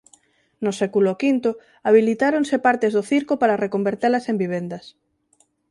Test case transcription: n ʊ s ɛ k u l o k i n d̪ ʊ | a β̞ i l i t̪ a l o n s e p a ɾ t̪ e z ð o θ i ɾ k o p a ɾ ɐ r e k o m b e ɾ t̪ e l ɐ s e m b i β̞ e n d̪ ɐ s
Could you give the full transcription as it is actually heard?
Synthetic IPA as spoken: n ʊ s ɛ k u l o k i n t̪ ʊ | a β̞ i l i t̪ a ɾ o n s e p a ɾ t̪ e z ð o θ i ɾ k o p a ɾ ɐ r e k o m b e ɾ t̪ e l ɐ s e m b i β̞ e n d̪ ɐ s